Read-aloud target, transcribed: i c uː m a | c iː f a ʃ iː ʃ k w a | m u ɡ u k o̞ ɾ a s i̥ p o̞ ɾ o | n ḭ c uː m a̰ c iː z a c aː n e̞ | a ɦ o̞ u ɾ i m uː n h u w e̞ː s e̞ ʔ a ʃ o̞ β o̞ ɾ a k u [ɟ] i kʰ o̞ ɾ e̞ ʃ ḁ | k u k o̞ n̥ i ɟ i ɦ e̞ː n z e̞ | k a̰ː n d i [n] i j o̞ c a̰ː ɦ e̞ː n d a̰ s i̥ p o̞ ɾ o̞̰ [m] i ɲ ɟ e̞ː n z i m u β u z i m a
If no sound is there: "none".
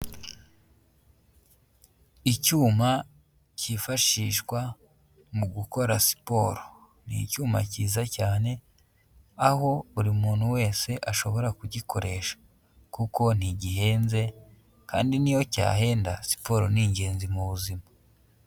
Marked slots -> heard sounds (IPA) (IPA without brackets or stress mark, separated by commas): ɟ, n, n